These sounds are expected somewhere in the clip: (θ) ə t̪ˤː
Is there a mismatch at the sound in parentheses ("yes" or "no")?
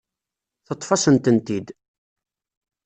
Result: no